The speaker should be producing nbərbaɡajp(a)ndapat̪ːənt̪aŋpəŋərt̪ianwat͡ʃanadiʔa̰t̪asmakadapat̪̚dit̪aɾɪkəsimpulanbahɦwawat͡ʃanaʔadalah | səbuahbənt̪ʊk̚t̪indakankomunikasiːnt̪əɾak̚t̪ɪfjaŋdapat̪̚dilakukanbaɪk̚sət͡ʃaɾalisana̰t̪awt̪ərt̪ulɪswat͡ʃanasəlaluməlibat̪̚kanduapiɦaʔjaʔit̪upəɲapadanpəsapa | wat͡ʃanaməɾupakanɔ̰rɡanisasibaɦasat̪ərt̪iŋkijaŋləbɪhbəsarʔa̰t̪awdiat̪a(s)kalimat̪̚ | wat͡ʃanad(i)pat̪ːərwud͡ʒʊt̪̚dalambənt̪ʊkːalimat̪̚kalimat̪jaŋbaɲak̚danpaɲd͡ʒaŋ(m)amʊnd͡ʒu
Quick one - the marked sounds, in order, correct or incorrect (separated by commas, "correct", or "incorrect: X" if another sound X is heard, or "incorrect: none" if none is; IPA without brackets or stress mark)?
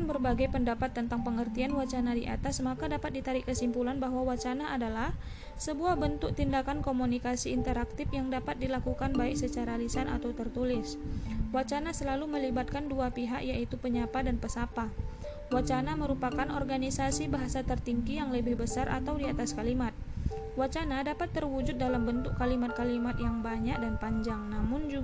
incorrect: ə, correct, incorrect: a, incorrect: n